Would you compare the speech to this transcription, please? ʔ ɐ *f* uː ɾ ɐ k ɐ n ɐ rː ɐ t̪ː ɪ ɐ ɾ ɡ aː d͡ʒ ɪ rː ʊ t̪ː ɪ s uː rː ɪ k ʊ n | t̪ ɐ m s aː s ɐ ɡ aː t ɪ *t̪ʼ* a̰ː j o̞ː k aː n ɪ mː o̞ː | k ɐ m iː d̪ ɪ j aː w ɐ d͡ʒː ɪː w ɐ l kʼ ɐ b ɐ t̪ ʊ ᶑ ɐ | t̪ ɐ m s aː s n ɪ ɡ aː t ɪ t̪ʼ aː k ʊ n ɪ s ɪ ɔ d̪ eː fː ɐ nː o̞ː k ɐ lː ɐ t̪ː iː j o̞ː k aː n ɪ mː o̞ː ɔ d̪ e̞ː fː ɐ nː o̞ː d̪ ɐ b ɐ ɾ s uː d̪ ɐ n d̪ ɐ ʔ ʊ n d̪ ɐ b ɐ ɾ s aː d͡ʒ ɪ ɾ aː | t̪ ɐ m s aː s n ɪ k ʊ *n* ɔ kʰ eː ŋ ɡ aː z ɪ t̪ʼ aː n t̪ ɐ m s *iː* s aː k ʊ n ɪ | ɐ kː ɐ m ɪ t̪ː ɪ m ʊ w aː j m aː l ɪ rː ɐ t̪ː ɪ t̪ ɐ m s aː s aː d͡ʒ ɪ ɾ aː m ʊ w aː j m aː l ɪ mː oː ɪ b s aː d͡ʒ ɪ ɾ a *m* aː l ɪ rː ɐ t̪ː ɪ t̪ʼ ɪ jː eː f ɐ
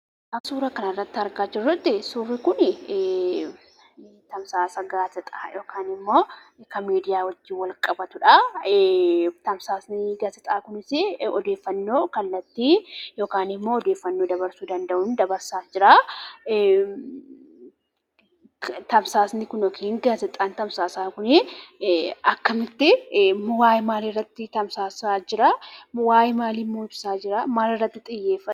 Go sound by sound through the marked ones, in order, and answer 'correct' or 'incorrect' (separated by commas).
incorrect, correct, correct, incorrect, correct